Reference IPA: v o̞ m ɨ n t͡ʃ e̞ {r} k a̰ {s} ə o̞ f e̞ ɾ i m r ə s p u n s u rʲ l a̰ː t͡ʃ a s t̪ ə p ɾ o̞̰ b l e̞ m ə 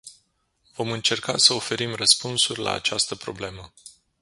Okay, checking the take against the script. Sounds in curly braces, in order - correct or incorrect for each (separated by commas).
correct, correct